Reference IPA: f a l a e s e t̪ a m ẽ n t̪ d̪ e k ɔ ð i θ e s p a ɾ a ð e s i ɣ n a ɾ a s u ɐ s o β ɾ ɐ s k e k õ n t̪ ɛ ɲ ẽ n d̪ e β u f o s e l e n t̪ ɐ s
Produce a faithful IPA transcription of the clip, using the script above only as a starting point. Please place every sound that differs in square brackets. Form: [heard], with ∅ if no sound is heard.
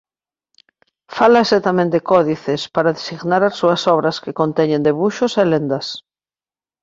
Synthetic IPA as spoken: f a l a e s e t̪ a m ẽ n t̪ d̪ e k ɔ ð i θ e s p a ɾ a ð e s i ɣ n a ɾ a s u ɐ s [ɔ] β ɾ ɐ s k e k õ n t̪ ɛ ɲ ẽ n d̪ e β u [ʃ] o s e l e n [d̪] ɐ s